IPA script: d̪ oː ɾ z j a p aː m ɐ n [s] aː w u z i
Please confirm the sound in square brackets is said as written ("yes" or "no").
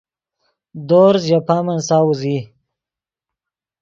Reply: yes